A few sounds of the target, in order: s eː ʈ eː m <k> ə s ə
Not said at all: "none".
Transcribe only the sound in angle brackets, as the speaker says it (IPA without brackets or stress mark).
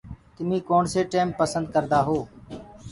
p